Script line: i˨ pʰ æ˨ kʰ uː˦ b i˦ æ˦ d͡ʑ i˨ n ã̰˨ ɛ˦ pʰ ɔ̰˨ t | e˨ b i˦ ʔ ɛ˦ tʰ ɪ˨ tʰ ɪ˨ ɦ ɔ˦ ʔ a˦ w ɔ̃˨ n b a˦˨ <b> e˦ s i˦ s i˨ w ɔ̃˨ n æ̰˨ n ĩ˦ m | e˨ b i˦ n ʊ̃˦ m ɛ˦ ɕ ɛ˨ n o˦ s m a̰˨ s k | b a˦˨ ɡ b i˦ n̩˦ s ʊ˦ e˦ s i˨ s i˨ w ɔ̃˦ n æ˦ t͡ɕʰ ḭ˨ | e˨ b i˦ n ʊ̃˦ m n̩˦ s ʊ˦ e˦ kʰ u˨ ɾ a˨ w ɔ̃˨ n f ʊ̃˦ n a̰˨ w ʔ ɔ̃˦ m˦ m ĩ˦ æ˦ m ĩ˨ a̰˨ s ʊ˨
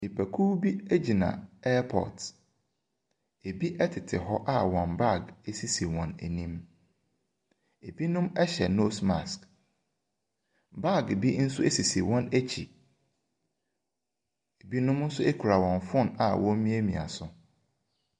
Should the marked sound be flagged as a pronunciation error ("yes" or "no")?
yes